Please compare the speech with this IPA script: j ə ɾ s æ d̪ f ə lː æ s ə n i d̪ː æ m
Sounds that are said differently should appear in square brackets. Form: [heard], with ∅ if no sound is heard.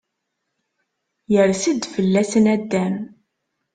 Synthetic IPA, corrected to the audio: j ə ɾ s [i] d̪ f ə lː æ s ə n [æ] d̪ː æ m